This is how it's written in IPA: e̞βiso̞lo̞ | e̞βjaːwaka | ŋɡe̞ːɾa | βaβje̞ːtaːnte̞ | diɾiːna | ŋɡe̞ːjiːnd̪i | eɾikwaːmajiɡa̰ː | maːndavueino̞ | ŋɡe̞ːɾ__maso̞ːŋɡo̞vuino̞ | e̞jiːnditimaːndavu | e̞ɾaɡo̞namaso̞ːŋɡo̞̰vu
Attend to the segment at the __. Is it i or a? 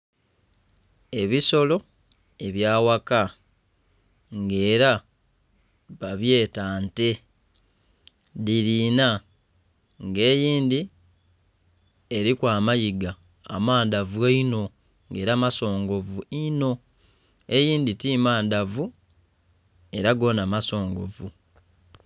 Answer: a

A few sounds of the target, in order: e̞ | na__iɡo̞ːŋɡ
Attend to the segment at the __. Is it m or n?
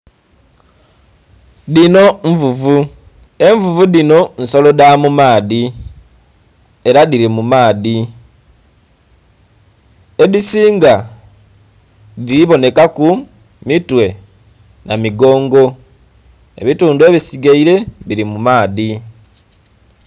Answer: m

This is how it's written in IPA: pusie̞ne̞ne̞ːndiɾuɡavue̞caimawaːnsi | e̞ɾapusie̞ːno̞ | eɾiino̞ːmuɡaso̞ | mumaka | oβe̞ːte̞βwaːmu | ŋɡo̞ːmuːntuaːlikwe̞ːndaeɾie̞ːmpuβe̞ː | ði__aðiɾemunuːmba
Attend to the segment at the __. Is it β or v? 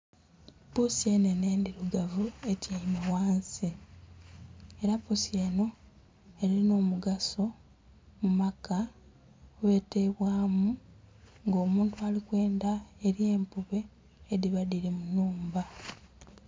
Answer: β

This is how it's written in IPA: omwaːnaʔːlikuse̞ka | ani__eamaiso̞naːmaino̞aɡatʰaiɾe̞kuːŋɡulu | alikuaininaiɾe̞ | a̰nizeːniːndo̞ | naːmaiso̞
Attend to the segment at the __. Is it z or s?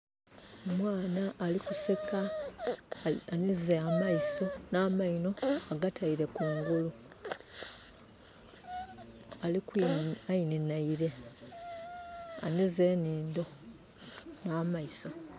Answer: z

